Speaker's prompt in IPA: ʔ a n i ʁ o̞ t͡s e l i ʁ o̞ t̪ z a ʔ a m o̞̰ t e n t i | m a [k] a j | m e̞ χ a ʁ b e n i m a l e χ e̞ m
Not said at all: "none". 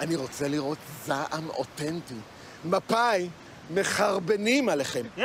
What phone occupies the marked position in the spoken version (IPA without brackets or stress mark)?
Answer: p